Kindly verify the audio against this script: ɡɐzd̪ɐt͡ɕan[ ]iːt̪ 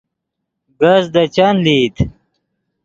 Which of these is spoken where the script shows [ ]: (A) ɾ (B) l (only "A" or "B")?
B